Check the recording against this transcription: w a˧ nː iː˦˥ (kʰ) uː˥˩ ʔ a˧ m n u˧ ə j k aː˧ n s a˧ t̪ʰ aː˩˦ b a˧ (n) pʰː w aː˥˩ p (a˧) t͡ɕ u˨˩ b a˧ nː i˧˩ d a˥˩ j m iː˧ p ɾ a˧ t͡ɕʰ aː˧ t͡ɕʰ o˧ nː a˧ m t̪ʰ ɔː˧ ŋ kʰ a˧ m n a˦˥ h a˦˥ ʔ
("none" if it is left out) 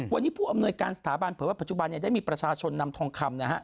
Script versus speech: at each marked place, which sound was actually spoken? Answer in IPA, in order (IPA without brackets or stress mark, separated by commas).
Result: pʰ, n, a˨˩